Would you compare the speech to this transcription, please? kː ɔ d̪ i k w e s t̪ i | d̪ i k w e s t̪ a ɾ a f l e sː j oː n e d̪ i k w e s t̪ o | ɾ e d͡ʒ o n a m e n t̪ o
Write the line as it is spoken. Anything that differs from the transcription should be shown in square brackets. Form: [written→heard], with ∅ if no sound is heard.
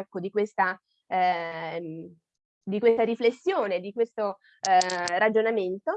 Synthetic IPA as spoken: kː [ɔ→o] d̪ i k w e s t̪ [i→a] | d̪ i k w e s t̪ a ɾ [a→i] f l e sː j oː n e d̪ i k w e s t̪ o | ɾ [e→a] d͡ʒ o n a m e n t̪ o